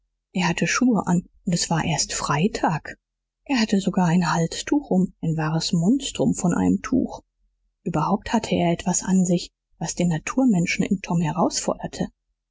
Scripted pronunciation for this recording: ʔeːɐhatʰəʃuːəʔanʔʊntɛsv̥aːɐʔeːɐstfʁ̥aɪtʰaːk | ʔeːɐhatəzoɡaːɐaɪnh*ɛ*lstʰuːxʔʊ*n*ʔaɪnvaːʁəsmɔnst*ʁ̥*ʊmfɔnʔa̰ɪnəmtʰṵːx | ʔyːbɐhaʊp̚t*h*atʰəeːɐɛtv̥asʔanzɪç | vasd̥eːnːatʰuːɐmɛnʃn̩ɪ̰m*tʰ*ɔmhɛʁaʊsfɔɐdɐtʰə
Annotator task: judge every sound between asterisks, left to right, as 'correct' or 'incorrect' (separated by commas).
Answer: incorrect, incorrect, correct, correct, correct